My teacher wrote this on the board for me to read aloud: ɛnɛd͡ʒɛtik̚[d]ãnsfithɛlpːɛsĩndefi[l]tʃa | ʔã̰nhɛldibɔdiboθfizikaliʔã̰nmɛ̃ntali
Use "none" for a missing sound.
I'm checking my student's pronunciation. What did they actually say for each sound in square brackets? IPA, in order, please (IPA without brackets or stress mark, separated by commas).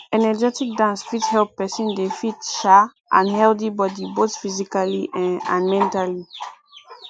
d, none